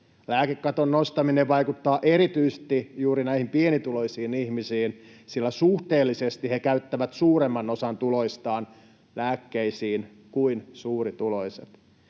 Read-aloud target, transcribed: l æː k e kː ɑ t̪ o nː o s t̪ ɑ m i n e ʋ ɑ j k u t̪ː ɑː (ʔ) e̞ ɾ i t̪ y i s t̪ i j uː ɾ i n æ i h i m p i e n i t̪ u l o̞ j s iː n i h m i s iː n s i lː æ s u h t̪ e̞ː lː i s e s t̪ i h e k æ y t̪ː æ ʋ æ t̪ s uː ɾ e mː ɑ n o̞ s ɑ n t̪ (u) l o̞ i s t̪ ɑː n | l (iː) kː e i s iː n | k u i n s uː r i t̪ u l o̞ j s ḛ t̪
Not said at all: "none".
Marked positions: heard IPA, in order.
ʔ, u, æː

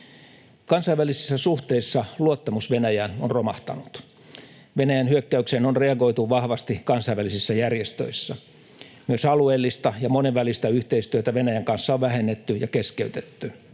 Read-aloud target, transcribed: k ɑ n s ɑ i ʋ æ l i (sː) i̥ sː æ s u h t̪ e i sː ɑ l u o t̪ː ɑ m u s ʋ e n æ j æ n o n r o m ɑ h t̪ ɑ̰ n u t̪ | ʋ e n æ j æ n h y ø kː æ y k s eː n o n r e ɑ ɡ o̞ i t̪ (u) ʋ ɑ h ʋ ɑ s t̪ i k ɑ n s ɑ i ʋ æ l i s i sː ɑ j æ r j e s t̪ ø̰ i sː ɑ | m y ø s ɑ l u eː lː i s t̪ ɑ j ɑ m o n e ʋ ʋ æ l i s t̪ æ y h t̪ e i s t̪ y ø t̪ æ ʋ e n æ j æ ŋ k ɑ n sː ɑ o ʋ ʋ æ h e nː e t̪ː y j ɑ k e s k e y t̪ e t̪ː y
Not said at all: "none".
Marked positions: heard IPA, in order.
s, u

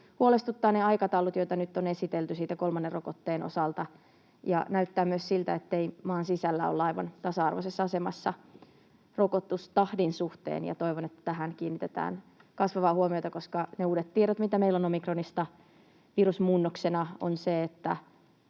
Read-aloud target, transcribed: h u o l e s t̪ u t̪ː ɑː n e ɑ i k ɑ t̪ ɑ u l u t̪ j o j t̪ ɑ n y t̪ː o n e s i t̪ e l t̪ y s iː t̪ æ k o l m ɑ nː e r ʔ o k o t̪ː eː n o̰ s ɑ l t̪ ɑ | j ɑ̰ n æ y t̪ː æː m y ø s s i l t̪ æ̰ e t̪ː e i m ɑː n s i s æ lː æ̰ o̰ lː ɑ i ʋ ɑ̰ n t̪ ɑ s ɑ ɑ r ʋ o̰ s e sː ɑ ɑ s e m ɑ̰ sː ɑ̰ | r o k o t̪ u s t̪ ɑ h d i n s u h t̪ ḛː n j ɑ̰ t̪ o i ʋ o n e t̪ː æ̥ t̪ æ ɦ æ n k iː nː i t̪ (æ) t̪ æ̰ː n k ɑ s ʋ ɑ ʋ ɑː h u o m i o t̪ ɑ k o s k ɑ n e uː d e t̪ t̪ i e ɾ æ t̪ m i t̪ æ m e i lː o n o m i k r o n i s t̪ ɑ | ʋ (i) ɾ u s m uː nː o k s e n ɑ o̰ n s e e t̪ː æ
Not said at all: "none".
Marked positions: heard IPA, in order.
e, i

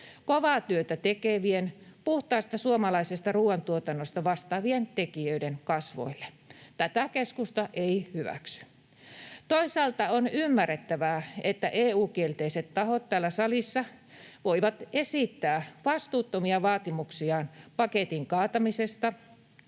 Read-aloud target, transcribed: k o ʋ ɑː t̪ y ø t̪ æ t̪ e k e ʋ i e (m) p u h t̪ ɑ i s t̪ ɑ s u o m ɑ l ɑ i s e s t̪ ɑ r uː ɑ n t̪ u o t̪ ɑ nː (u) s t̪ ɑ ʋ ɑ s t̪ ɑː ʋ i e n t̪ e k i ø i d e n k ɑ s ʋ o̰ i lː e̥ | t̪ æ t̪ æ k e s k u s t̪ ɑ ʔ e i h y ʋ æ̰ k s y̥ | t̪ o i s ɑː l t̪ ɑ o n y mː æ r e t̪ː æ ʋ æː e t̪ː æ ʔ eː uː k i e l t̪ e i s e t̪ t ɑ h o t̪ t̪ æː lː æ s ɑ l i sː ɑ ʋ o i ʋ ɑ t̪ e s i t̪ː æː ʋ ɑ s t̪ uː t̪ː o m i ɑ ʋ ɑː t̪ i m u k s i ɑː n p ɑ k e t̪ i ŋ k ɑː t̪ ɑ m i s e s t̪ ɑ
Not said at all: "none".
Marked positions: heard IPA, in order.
n, o

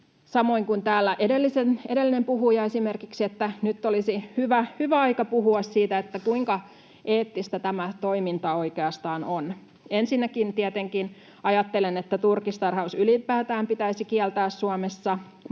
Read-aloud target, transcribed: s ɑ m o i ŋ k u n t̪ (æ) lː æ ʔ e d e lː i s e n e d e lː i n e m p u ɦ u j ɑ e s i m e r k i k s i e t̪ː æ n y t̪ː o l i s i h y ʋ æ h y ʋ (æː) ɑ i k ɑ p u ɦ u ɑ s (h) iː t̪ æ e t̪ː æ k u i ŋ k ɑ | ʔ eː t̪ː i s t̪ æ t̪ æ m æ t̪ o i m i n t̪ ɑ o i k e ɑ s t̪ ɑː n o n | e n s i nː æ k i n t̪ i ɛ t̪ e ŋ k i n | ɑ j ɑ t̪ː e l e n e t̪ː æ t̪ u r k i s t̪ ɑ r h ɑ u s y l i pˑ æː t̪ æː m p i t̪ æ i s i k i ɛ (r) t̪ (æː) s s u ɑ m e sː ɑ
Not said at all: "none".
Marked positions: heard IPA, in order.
æː, æ, s, l, æː

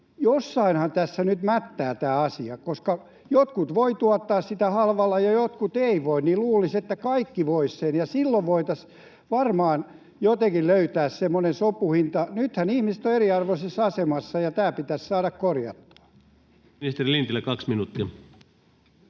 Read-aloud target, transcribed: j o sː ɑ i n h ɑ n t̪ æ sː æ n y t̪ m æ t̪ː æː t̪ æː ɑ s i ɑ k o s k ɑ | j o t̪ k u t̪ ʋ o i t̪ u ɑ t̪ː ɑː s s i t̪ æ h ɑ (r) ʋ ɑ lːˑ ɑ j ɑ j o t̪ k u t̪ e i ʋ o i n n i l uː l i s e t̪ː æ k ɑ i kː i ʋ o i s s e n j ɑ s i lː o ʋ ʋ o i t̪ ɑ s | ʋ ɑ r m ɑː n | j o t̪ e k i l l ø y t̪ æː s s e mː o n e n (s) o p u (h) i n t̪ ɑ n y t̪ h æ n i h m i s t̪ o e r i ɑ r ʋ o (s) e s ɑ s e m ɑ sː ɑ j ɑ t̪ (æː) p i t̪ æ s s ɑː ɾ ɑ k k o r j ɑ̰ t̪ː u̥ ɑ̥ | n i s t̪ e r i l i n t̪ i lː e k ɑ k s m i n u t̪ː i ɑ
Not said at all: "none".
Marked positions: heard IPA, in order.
l, s, h, s, æː

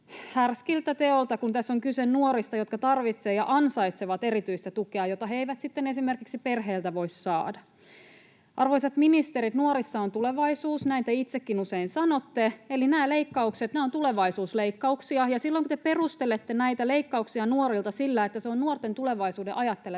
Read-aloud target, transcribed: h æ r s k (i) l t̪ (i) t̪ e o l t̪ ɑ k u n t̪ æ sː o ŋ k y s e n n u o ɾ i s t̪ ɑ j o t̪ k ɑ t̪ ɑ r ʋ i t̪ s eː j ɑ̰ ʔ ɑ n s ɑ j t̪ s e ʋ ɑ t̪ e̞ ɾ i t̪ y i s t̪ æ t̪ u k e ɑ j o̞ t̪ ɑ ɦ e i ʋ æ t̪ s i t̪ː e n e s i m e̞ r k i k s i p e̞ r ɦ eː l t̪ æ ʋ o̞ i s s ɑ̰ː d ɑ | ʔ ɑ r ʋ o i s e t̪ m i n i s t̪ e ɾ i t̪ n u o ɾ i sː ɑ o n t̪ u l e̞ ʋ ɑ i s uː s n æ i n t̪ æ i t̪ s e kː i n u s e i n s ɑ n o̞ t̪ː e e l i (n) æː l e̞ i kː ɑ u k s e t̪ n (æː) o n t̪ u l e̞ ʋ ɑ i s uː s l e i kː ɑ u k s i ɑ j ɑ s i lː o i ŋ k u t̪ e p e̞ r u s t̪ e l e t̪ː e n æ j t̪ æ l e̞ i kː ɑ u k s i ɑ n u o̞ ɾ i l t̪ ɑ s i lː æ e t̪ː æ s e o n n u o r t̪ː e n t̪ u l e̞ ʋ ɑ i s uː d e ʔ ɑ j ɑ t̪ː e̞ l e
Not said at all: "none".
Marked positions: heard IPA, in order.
i, æ, n, æː

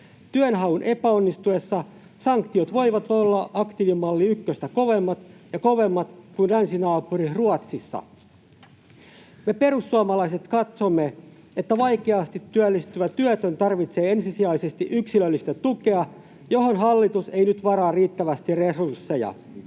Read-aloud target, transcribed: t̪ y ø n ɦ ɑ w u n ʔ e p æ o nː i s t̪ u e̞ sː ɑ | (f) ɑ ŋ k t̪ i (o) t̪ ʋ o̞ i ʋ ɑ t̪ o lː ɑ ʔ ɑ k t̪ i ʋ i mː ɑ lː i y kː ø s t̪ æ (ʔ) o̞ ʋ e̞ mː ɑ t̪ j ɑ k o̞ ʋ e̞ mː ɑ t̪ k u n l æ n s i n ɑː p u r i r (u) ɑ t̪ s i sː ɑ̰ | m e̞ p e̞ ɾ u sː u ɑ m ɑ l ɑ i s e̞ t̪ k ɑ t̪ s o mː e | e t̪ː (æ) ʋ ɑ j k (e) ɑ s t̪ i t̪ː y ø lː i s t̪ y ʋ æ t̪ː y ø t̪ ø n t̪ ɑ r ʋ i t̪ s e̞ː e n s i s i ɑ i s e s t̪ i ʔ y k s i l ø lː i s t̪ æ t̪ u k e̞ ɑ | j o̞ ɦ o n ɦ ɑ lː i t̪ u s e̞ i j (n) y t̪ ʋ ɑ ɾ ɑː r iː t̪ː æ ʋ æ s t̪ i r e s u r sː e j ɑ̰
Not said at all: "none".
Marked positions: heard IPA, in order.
s, o, k, u, æ, e, n

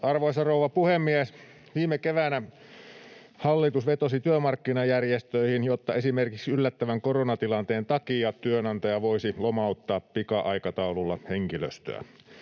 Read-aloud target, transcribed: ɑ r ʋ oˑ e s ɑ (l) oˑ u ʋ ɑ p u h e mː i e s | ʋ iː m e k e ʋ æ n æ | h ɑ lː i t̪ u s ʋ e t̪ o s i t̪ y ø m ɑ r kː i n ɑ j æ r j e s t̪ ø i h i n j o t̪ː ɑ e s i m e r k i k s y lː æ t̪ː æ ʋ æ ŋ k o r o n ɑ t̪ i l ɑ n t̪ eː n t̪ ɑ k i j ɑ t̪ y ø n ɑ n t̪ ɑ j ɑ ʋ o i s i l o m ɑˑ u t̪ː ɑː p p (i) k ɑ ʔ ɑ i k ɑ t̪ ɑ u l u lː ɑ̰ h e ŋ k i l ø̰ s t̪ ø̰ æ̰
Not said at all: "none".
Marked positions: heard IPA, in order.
r, i

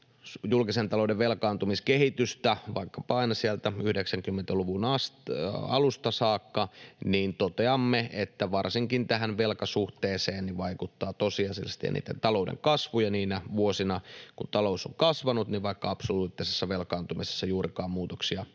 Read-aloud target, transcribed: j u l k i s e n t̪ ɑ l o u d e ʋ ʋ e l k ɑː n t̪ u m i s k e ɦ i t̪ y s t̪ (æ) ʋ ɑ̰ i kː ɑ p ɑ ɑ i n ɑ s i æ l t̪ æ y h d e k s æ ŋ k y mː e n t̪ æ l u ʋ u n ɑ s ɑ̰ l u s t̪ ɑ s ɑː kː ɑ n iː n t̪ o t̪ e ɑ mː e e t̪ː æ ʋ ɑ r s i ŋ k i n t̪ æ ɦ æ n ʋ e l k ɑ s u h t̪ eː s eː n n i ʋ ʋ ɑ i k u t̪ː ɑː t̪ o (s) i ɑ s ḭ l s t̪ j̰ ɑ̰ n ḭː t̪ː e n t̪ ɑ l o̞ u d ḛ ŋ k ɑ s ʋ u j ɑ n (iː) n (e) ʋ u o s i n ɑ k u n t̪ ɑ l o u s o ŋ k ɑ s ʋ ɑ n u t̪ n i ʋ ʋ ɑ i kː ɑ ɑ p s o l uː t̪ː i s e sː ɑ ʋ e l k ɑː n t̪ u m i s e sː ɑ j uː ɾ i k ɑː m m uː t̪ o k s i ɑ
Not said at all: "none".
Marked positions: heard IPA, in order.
æ, s, iː, æ

